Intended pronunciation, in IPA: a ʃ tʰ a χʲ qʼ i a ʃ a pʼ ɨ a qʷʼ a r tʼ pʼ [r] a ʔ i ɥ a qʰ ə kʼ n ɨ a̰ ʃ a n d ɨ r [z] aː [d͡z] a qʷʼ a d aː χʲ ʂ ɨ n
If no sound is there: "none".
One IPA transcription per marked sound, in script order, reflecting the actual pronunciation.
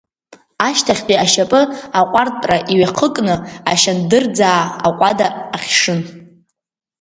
r, d͡z, none

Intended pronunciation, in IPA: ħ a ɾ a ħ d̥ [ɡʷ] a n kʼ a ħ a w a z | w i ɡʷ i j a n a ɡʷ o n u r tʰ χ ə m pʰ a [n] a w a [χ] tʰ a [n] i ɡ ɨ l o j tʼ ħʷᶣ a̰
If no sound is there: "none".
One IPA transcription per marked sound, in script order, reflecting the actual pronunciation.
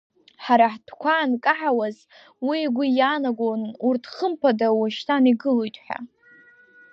kʷ, d, ʃ, n

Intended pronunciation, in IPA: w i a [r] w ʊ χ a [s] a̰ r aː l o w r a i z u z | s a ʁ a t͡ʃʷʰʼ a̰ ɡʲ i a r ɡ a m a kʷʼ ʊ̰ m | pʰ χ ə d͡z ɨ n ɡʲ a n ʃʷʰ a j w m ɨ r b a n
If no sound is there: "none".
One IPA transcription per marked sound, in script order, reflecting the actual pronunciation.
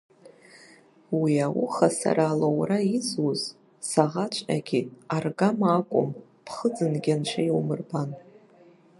none, s

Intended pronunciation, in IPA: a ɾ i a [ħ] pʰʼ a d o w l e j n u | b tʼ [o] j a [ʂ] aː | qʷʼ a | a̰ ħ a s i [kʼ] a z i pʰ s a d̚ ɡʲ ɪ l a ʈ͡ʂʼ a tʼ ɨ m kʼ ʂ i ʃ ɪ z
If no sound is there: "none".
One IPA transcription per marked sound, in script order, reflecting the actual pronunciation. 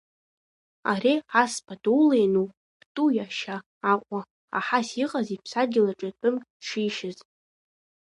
s, u, ʃ, qʼ

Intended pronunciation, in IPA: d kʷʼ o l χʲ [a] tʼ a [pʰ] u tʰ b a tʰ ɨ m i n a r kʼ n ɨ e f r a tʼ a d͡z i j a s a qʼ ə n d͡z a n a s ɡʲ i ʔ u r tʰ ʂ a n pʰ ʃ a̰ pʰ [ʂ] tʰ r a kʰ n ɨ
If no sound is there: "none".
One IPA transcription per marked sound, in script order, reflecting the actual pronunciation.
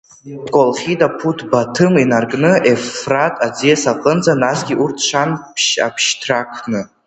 i, pʰ, ʃ

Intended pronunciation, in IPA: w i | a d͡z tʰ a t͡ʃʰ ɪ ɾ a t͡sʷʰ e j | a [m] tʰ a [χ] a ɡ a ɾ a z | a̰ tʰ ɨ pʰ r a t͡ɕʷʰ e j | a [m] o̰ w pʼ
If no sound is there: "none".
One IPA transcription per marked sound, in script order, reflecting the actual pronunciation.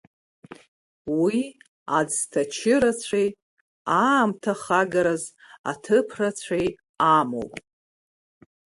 m, χ, m

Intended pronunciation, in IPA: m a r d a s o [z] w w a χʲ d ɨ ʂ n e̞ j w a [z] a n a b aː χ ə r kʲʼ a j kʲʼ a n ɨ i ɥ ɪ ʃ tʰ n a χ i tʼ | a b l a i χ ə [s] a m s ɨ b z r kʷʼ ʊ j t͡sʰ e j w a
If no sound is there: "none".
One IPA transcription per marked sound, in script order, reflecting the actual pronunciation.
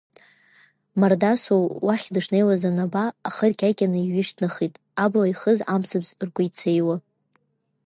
none, z, z

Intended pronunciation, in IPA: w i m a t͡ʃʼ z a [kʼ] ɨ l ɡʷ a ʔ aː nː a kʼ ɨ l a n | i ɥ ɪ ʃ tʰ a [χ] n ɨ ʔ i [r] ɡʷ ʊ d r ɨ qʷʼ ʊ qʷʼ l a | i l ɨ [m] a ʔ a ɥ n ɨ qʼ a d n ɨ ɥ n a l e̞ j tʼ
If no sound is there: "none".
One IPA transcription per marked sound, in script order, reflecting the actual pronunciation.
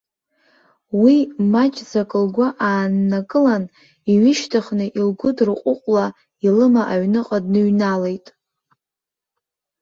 kʼ, χ, l, m

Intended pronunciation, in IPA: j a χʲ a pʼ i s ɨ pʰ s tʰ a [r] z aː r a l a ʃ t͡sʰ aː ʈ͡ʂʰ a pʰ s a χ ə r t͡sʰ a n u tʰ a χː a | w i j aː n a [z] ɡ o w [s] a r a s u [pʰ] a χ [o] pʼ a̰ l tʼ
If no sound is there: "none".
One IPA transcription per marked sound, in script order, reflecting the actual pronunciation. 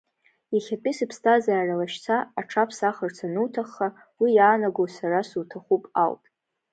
none, none, s, tʰ, u

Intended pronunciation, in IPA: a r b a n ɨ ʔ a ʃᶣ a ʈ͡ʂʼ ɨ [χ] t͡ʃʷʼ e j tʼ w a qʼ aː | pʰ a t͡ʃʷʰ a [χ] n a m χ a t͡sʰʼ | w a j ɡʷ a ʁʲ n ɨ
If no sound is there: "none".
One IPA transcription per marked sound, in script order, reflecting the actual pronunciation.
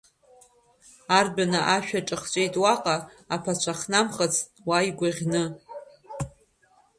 χ, χ

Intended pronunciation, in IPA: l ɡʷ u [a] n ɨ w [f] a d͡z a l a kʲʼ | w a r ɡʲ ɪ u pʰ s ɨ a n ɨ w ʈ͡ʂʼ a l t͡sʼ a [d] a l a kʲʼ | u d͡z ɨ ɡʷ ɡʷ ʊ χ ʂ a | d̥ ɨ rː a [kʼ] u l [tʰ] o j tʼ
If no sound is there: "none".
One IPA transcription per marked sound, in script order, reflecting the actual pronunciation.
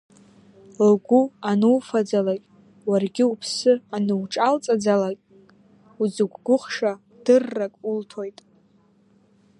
a, f, d͡z, kʼ, tʰ

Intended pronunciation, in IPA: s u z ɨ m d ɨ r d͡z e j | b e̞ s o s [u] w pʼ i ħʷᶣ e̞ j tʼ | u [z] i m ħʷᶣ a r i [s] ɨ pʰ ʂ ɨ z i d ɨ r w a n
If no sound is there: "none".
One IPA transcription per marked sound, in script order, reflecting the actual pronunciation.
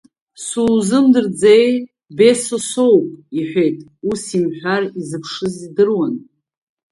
o, s, z

